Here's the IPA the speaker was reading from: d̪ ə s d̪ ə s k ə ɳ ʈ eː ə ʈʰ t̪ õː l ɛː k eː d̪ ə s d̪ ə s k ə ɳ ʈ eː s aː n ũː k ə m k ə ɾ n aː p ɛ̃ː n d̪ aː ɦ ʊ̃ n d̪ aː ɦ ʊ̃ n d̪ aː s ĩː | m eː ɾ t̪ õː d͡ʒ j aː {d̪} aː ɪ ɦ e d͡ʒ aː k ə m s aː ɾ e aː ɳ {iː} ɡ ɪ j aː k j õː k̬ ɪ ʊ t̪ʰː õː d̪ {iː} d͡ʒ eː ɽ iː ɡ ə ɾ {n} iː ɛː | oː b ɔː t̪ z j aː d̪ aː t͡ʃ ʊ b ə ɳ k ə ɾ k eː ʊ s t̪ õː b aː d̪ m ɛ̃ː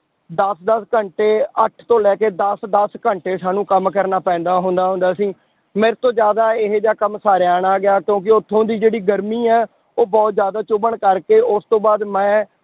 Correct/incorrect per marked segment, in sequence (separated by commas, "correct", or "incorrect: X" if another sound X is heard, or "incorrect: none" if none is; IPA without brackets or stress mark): correct, incorrect: aː, correct, incorrect: m